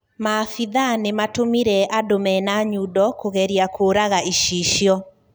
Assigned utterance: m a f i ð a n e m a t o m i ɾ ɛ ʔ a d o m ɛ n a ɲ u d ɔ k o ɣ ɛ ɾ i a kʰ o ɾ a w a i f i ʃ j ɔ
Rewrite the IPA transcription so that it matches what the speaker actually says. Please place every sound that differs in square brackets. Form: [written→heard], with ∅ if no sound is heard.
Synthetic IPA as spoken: m a f i ð a n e m a t o m i ɾ ɛ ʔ a d o m ɛ n a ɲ u d ɔ k o ɣ ɛ ɾ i a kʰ o ɾ a [w→ɣ] a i [f→ʃ] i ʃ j ɔ